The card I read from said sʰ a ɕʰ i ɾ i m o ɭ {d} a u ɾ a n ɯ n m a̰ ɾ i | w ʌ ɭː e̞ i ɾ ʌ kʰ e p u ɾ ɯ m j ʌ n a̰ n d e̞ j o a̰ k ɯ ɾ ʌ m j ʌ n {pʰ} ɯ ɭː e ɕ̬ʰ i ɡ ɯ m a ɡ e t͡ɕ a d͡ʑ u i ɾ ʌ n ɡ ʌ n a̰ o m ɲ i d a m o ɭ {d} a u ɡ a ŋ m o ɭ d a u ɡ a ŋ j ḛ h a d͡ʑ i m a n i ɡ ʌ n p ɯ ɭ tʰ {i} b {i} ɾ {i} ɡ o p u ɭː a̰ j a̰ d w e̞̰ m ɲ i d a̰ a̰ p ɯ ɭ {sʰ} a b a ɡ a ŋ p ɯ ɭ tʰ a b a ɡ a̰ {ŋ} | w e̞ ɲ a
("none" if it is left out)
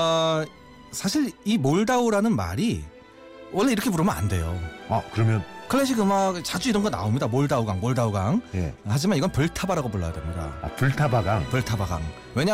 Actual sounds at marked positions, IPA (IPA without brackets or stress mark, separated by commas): d, kʰ, d, a, a, a, tʰ, ŋ